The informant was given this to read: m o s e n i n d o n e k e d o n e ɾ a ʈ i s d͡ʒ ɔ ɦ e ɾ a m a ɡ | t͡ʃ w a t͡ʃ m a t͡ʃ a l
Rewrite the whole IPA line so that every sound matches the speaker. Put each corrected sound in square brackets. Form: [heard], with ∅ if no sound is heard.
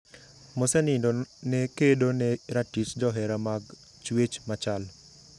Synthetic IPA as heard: m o s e n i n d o n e k e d o n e ɾ a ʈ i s d͡ʒ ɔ ɦ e ɾ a m a ɡ | t͡ʃ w [e] t͡ʃ m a t͡ʃ a l